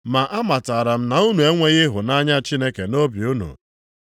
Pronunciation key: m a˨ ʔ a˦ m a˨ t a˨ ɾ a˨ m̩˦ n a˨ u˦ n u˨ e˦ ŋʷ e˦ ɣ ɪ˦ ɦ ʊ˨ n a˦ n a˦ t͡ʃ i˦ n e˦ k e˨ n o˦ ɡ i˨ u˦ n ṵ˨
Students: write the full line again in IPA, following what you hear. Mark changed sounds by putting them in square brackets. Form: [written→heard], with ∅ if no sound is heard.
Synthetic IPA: m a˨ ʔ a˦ m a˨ t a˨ ɾ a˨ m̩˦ n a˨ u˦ n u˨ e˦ ŋʷ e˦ ɣ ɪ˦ ɦ ʊ˨ n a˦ [n→ɲ] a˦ t͡ʃ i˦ n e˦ k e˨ n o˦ [ɡ→b] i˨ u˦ n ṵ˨